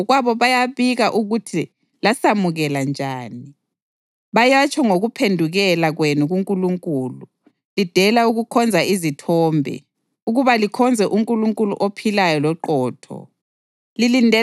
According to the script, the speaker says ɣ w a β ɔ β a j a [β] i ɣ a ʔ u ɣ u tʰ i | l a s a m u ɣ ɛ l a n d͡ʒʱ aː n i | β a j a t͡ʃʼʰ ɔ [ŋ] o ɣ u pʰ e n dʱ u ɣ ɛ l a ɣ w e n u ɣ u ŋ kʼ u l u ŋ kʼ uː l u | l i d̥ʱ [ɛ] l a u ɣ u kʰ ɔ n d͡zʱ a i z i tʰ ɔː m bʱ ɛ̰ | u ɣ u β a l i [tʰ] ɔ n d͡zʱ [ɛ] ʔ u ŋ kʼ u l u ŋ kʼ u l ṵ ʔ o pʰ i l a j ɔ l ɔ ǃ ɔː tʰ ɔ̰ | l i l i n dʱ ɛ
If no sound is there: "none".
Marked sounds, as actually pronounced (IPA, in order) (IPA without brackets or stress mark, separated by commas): β, ŋ, ɛ, kʰ, ɛ